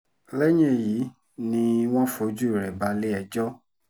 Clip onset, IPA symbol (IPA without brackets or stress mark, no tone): l